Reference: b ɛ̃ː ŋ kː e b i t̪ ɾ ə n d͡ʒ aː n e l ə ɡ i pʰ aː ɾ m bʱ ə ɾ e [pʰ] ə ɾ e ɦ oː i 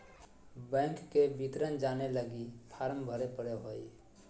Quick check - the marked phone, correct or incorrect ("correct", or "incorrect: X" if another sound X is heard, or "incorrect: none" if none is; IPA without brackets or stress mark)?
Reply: incorrect: p